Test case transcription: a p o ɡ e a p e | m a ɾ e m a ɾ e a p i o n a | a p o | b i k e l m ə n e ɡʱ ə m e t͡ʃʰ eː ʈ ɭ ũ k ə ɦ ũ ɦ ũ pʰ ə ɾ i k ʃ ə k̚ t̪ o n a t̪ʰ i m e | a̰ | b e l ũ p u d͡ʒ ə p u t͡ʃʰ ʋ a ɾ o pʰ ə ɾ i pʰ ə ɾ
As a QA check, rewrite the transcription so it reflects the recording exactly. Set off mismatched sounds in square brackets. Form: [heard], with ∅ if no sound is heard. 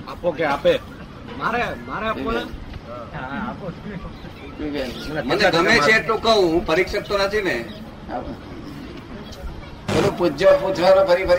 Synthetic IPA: a p o [k] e a p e | m a ɾ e m a ɾ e a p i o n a | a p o | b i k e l m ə n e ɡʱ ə m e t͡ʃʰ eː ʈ [l] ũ k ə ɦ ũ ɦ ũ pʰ ə ɾ i k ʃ ə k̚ t̪ o n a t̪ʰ i [n] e | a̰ | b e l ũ p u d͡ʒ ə p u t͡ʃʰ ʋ a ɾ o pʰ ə ɾ i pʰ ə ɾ